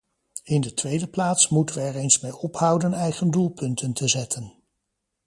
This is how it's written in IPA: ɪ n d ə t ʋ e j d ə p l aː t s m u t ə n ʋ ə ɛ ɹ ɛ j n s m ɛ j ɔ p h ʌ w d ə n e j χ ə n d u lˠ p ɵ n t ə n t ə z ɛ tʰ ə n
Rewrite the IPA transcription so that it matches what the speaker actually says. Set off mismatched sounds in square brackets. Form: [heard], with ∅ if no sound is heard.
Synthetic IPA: ɪ n d ə t ʋ e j d ə p l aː t s m u t ə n ʋ ə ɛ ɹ [e] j n s m [e] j ɔ p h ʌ w d ə n [ɛ] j χ ə n d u lˠ p ɵ n t ə n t ə z ɛ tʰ ə n